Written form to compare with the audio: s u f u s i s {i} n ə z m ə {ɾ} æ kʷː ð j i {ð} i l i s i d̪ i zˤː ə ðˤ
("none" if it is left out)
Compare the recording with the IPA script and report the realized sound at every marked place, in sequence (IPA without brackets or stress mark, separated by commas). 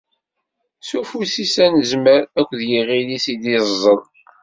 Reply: æ, ɾ, ʁ